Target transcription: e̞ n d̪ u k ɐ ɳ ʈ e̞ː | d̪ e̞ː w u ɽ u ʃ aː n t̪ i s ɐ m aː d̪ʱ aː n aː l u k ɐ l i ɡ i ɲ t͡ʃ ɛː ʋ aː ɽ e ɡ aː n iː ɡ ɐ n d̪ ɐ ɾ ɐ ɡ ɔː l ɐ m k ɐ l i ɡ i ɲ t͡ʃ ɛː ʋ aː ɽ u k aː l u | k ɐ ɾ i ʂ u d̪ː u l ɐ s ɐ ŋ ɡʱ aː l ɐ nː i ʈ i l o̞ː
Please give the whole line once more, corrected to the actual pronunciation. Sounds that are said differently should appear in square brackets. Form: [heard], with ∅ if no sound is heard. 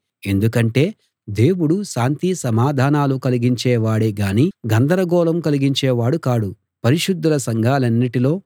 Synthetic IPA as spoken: e̞ n d̪ u k ɐ ɳ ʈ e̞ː | d̪ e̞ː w u ɽ u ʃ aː n t̪ i s ɐ m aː d̪ʱ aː n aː l u k ɐ l i ɡ i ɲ t͡ʃ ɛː ʋ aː ɽ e ɡ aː n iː ɡ ɐ n d̪ ɐ ɾ ɐ ɡ ɔː l ɐ m k ɐ l i ɡ i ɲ t͡ʃ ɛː ʋ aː ɽ u k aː [ɽ] u | [p] ɐ ɾ i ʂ u d̪ː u l ɐ s ɐ ŋ ɡʱ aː l ɐ nː i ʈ i l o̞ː